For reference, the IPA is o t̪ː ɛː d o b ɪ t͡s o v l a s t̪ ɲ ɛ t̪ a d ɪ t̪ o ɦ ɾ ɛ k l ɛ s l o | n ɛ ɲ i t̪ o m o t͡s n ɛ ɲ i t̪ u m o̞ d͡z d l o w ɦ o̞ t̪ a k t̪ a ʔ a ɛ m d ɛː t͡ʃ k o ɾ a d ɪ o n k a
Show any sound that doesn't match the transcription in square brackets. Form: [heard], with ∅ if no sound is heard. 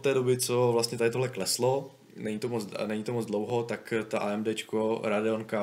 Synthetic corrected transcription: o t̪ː ɛː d o b ɪ t͡s o v l a s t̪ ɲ ɛ t̪ a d ɪ t̪ o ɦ [l] ɛ k l ɛ s l o | n ɛ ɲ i t̪ o m o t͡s n ɛ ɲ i t̪ [o] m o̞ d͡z d l o w ɦ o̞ t̪ a k t̪ a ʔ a ɛ m d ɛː t͡ʃ k o ɾ a d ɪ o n k a